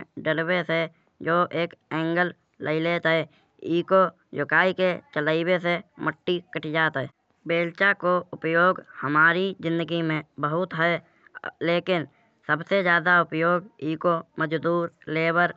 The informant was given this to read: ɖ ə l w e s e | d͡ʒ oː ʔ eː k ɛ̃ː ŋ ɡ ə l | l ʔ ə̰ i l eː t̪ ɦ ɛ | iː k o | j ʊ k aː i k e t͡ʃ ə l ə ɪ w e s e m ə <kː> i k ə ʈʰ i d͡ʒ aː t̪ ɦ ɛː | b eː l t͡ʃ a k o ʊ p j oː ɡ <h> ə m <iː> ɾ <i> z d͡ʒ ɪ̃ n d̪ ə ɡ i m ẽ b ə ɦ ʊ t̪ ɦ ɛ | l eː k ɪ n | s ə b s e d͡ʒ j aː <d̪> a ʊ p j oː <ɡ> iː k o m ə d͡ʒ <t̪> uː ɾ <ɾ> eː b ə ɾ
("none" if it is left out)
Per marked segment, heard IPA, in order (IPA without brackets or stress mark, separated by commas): ʈː, h, aː, i, d̪, ɡ, d̪, l